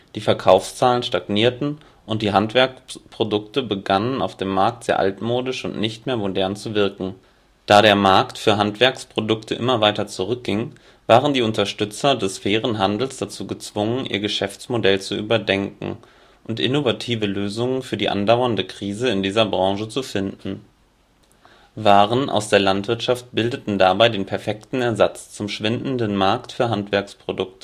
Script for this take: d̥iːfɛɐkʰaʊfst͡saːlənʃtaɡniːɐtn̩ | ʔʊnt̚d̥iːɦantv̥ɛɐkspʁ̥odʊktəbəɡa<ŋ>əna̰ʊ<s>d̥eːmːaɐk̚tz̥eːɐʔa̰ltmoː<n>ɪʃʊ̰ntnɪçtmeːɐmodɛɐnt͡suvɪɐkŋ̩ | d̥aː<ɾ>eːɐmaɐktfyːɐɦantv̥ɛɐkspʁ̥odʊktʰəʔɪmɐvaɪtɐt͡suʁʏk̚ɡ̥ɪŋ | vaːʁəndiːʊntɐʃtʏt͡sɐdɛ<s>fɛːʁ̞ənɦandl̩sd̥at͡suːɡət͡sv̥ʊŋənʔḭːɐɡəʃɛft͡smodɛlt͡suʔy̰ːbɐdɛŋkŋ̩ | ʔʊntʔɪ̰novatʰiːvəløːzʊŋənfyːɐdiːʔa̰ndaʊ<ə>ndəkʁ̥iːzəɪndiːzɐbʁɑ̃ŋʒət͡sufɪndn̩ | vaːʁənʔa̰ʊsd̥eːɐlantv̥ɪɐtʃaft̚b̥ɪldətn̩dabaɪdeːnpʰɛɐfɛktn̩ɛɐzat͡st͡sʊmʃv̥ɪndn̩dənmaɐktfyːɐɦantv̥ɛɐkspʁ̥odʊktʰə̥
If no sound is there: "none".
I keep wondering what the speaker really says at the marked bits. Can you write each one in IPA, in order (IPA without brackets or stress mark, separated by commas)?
n, f, d, ɾ, s, ɐ